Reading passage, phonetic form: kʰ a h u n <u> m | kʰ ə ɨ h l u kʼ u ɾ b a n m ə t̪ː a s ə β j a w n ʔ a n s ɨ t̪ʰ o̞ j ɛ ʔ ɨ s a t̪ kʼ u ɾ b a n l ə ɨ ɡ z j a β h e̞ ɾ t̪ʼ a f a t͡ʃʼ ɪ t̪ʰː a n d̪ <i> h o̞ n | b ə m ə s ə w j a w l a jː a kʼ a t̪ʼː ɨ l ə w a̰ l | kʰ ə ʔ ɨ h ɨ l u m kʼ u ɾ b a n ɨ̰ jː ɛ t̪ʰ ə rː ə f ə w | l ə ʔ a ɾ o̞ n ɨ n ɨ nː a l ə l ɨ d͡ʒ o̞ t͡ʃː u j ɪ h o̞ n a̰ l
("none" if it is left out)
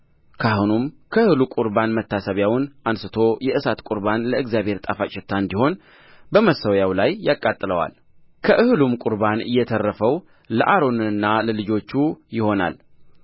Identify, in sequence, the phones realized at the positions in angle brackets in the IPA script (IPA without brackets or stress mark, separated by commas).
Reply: u, i